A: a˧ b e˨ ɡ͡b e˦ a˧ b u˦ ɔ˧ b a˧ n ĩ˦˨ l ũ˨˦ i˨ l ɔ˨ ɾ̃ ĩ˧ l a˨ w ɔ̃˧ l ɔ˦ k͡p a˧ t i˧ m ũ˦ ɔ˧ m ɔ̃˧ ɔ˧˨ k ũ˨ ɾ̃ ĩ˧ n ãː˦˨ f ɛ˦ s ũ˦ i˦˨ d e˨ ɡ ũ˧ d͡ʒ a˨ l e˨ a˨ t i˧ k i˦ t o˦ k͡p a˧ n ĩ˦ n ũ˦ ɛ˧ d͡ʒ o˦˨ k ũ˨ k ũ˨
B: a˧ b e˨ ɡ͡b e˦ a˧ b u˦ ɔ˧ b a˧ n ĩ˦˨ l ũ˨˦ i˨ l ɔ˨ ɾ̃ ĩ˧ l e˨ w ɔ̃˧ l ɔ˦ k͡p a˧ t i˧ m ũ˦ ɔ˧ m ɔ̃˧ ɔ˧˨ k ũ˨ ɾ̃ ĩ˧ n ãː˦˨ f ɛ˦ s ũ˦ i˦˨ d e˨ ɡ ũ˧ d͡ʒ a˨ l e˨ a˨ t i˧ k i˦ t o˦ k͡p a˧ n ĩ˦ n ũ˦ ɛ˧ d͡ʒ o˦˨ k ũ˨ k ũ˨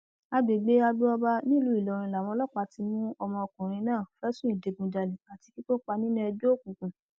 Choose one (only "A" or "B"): A